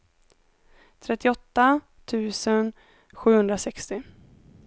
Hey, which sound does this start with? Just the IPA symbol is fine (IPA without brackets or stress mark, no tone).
t̪ʰ